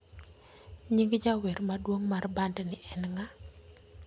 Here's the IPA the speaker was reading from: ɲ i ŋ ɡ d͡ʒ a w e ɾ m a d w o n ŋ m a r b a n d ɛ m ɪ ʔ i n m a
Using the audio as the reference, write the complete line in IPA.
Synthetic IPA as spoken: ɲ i ŋ ɡ d͡ʒ a w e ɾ m a d w o ŋ m a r b a n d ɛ n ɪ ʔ ɛ n ŋ a

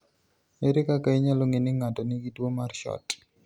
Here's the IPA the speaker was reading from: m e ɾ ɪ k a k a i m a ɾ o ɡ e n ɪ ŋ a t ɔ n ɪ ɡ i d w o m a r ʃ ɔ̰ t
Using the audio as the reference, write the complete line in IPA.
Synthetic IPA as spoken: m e ɾ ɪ k a k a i ɲ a l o ŋ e n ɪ ŋ a t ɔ n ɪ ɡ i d w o m a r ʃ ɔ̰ t

